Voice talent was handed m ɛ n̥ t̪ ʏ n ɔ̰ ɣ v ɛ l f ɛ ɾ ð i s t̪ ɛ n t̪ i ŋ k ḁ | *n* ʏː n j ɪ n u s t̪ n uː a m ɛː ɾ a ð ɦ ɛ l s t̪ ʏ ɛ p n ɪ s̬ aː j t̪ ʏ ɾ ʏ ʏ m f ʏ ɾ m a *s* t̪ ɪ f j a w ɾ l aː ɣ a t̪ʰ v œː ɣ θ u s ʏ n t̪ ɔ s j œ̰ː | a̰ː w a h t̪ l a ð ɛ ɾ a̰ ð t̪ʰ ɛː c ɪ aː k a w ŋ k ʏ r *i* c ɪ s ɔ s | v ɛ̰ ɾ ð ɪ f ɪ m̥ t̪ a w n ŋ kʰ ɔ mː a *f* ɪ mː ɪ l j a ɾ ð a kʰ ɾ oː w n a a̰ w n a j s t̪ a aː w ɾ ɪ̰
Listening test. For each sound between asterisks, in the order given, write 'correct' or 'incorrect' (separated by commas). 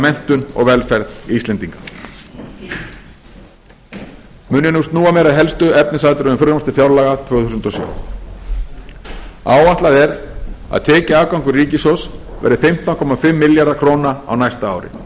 incorrect, correct, incorrect, correct